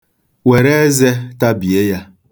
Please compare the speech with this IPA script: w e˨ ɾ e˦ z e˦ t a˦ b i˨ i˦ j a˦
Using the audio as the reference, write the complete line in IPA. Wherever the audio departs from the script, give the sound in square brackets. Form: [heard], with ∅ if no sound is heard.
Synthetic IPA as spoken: w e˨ ɾ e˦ z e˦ t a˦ b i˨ [e˦] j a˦